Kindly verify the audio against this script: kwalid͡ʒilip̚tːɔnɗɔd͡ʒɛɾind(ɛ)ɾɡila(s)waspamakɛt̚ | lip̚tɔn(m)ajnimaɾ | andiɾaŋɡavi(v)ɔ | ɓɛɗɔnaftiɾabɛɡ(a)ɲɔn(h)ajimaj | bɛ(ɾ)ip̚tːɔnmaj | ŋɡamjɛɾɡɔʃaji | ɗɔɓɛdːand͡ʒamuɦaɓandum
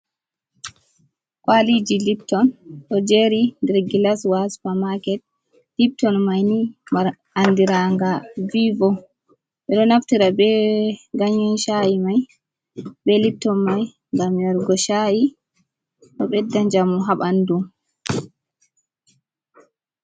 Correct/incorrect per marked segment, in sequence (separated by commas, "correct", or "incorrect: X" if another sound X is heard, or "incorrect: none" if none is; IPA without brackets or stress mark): correct, correct, correct, correct, correct, incorrect: ʃ, incorrect: l